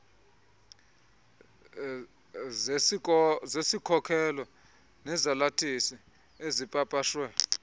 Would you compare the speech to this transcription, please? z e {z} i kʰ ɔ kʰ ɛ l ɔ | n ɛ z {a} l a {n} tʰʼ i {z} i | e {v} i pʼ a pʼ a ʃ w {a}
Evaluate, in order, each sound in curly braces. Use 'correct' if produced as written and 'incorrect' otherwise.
incorrect, correct, incorrect, incorrect, incorrect, incorrect

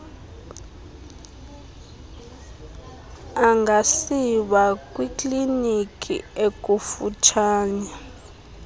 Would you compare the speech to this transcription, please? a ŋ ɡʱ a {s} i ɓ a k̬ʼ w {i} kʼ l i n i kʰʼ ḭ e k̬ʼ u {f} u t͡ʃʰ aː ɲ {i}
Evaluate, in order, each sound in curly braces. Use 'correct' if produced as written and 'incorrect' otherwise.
correct, correct, correct, incorrect

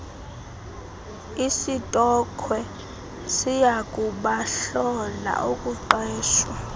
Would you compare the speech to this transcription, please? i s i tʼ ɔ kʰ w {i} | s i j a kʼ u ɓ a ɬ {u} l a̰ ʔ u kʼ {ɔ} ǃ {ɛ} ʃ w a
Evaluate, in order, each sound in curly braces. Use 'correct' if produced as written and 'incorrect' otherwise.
incorrect, incorrect, incorrect, incorrect

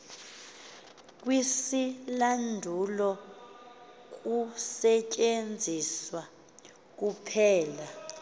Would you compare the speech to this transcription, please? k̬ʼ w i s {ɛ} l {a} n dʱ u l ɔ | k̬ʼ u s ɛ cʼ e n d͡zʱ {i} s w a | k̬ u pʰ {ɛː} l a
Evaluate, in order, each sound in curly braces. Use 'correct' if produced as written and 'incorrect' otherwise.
incorrect, correct, correct, correct

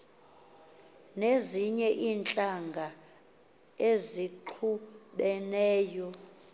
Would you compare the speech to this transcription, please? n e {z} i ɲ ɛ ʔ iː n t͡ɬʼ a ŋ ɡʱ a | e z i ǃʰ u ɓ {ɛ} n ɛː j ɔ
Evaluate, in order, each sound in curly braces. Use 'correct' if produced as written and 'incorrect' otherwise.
correct, correct

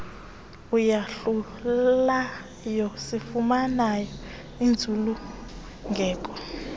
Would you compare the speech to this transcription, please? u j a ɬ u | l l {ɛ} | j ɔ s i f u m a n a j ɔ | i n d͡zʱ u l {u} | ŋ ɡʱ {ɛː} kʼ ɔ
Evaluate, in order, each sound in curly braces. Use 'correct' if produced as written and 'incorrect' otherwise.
incorrect, correct, correct

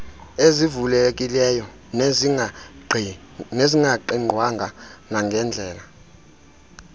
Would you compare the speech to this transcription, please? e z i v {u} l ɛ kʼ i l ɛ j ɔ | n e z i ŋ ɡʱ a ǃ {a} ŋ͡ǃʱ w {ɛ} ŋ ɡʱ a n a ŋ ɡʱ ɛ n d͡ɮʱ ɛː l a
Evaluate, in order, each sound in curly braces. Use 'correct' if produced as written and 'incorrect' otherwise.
correct, incorrect, incorrect

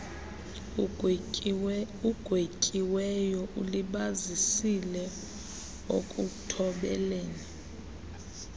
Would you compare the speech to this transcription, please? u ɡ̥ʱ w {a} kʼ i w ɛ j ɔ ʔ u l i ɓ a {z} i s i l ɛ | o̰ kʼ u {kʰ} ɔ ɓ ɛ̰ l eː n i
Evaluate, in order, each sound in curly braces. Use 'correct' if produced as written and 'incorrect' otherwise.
incorrect, correct, incorrect

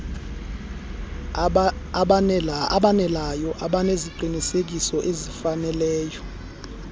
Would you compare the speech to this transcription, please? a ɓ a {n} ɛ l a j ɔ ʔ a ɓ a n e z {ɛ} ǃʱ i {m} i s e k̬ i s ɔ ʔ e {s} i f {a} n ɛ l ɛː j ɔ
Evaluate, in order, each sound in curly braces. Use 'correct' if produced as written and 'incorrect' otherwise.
correct, incorrect, incorrect, incorrect, correct

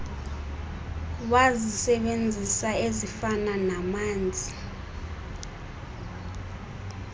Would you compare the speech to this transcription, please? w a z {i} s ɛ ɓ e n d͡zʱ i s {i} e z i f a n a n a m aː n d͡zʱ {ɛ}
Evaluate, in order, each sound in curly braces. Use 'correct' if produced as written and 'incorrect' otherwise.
correct, incorrect, incorrect

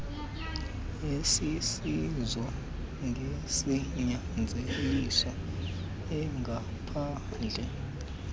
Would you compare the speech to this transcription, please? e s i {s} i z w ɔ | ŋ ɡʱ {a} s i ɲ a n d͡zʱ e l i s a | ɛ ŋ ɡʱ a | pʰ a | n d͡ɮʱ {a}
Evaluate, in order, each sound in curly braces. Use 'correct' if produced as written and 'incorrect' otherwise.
correct, incorrect, incorrect

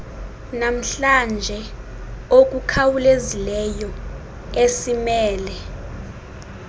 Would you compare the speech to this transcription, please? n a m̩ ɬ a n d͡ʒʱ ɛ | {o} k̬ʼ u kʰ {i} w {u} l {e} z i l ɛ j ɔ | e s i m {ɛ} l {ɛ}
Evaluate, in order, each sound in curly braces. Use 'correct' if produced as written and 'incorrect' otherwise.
correct, incorrect, correct, correct, incorrect, correct

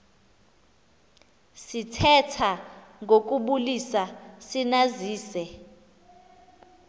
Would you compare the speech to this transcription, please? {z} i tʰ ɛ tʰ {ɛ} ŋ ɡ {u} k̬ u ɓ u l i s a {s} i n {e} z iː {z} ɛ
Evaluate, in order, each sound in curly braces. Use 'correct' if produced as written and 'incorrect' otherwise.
incorrect, incorrect, incorrect, correct, incorrect, incorrect

